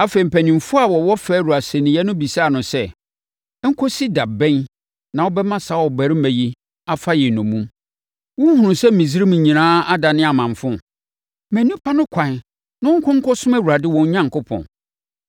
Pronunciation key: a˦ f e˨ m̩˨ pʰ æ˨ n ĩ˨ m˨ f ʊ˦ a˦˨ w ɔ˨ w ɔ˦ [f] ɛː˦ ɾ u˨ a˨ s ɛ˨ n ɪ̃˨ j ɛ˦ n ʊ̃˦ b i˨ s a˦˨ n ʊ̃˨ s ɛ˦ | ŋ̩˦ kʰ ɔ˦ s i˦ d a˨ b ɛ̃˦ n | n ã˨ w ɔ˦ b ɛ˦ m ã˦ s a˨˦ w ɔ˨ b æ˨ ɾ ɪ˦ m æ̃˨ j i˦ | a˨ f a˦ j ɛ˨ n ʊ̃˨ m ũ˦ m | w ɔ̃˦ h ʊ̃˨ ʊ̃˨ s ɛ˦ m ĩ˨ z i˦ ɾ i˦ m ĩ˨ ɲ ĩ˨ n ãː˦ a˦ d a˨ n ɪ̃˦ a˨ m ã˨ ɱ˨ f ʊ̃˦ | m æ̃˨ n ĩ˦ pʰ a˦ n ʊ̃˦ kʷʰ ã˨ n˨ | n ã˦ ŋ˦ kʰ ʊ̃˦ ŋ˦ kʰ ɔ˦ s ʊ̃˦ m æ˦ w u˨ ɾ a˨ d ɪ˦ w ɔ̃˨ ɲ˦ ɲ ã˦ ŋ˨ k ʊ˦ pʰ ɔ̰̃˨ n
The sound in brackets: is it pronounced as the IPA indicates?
yes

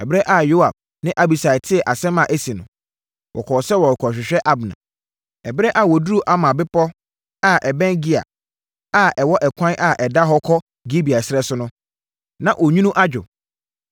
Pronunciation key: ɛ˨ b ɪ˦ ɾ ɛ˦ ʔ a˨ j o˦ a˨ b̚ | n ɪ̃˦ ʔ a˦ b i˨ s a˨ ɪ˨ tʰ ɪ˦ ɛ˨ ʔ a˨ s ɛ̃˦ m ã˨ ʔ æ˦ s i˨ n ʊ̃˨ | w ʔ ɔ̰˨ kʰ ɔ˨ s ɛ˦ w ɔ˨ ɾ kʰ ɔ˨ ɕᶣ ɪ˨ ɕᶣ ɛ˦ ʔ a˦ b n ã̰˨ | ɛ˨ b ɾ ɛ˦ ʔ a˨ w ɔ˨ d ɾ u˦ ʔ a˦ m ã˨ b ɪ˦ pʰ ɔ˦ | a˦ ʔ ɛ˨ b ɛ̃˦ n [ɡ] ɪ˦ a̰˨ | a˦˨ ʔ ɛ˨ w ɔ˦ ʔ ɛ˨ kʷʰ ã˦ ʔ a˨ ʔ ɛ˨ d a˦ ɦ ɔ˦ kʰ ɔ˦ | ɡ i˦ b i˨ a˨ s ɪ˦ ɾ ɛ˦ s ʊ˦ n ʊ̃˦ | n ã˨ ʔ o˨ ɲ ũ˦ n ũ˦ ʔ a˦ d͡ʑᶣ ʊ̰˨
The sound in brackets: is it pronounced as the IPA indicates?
yes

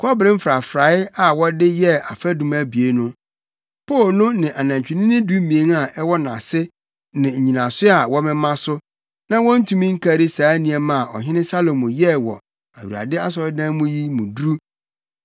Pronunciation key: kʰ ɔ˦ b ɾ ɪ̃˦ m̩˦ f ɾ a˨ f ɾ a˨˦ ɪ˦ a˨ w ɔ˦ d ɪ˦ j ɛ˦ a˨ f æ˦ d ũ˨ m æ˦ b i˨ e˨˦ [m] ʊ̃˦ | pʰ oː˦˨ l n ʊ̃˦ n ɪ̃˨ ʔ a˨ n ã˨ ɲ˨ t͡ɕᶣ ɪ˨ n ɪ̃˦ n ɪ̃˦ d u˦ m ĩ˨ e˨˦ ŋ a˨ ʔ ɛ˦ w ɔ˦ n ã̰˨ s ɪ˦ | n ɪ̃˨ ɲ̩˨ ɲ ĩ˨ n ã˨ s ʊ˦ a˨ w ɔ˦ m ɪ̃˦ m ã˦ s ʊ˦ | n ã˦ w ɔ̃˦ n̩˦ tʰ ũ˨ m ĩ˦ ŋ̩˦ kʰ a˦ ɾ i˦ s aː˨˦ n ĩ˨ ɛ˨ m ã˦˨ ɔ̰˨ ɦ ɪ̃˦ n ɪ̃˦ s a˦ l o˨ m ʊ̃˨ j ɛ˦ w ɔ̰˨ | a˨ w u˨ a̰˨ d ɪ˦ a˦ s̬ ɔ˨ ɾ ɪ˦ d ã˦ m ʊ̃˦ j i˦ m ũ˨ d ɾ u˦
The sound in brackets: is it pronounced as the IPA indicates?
no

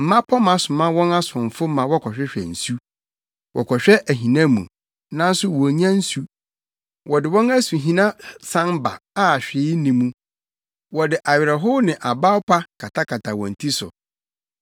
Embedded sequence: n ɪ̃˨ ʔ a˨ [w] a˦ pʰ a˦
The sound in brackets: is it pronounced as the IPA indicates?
no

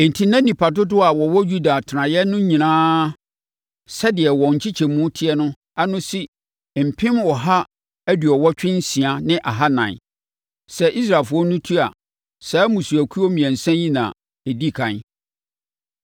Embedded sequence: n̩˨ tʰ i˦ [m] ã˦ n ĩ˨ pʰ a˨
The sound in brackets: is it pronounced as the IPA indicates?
no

